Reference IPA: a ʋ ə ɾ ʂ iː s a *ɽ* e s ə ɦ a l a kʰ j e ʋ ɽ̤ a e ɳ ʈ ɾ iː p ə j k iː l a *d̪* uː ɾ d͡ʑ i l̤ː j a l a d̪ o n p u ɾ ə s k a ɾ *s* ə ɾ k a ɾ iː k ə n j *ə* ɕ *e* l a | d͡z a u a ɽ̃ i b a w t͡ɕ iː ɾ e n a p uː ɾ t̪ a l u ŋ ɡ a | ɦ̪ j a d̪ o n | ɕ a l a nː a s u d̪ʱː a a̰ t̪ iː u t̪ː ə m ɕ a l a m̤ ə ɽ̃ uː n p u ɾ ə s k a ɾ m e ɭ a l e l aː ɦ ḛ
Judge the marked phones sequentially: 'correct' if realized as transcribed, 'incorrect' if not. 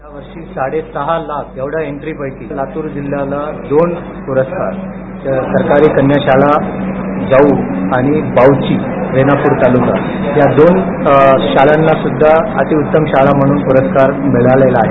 correct, incorrect: t̪, correct, incorrect: a, incorrect: a

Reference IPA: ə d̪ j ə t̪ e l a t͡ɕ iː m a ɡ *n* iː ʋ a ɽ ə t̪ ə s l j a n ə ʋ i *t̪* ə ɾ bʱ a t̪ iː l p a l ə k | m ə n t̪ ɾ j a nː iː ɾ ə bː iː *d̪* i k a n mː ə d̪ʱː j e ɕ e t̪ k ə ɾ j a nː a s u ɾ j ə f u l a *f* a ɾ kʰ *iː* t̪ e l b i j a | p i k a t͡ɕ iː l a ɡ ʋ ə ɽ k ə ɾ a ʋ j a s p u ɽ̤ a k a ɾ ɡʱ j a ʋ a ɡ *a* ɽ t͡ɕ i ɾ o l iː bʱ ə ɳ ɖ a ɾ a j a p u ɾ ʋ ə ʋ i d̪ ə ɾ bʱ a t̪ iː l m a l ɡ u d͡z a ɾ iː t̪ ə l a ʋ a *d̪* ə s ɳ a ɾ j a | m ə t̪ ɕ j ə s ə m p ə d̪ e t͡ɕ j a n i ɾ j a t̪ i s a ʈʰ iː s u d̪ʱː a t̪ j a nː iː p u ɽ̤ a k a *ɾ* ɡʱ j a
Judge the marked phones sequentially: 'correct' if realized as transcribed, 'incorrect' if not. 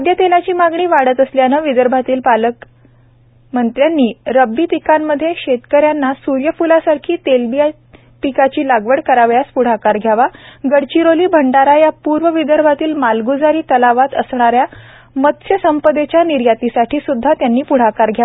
incorrect: ɳ, incorrect: d̪, incorrect: t̪, incorrect: s, correct, incorrect: ə, incorrect: t̪, correct

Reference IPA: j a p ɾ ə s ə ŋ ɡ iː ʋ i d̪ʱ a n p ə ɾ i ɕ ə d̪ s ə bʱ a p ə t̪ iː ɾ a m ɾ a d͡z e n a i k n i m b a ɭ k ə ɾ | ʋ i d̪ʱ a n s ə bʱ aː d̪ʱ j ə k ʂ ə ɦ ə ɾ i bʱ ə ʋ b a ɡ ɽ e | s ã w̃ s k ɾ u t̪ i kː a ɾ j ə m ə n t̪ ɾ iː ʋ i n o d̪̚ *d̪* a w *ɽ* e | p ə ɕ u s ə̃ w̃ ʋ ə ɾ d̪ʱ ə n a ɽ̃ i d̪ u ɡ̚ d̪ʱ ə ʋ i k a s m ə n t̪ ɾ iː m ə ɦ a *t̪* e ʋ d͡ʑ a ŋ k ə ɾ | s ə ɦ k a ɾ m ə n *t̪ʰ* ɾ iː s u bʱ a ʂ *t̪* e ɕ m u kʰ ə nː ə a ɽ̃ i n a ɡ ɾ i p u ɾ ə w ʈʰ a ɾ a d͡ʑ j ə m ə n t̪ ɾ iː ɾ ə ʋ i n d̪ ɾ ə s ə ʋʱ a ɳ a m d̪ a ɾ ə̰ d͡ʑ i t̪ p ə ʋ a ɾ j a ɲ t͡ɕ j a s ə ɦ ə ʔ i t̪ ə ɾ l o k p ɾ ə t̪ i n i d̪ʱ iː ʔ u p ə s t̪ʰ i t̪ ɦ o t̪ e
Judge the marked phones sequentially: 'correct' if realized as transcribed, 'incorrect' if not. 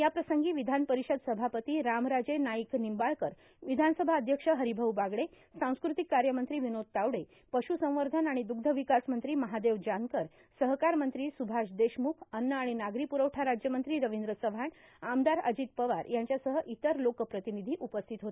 incorrect: t̪, correct, incorrect: d̪, incorrect: t̪, incorrect: d̪

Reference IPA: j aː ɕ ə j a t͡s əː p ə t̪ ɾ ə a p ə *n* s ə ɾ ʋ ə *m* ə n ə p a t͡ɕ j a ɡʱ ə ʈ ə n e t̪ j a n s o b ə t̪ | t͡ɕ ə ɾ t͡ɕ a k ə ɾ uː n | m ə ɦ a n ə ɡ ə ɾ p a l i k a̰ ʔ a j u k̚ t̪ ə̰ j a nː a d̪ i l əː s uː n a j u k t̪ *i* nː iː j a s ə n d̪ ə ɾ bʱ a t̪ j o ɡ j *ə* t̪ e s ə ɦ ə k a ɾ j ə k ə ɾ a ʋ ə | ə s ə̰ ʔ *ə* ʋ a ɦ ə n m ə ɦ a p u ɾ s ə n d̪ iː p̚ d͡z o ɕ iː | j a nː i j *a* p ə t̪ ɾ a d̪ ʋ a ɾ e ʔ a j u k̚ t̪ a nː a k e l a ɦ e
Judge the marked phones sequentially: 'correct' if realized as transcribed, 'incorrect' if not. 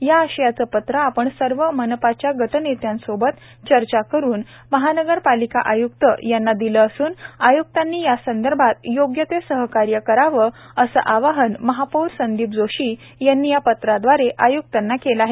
incorrect: ɳ, correct, incorrect: a, correct, incorrect: a, correct

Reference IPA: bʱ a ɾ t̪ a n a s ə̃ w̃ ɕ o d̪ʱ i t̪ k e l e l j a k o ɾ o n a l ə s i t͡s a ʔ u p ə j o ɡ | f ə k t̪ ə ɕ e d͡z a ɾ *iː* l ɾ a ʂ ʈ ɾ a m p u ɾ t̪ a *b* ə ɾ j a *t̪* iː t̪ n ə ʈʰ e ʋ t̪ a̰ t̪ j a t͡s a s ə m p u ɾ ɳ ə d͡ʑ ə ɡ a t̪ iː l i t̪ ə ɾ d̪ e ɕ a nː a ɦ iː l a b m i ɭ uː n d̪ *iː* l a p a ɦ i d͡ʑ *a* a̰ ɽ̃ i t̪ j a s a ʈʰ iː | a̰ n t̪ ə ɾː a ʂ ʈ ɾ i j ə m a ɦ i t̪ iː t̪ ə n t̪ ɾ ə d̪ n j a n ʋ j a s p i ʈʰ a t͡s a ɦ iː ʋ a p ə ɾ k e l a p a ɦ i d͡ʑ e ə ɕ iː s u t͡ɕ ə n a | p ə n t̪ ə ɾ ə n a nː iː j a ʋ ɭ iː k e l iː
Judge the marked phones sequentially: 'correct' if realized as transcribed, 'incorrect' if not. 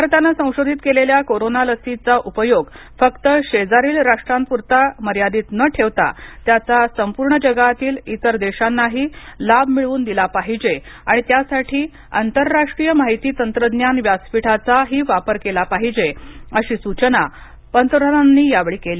correct, incorrect: m, incorrect: d̪, incorrect: i, incorrect: e

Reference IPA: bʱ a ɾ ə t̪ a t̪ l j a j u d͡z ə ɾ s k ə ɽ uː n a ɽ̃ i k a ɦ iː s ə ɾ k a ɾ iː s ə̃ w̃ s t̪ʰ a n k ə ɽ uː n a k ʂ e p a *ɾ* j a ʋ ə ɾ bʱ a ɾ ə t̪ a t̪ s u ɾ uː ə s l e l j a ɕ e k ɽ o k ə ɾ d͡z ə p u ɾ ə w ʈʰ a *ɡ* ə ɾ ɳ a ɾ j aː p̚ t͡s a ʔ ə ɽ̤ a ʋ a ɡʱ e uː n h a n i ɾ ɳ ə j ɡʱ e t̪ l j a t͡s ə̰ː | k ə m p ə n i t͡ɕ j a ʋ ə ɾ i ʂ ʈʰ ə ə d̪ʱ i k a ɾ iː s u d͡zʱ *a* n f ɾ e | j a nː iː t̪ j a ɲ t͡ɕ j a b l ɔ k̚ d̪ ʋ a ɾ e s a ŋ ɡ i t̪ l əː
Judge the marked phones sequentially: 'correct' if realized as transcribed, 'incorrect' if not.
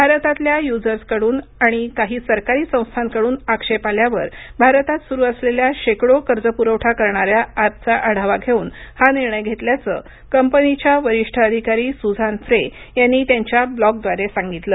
incorrect: l, incorrect: k, correct

